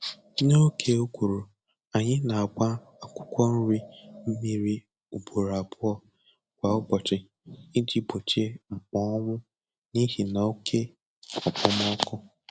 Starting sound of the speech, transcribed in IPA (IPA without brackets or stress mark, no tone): n